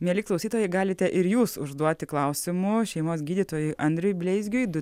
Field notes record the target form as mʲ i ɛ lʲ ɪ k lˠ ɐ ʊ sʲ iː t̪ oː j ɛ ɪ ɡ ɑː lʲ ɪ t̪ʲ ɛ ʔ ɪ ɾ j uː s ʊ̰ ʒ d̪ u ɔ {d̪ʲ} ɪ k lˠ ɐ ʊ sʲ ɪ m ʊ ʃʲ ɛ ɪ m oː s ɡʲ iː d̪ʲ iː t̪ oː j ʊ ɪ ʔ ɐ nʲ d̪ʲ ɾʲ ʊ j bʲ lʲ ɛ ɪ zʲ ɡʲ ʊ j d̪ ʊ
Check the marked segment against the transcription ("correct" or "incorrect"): incorrect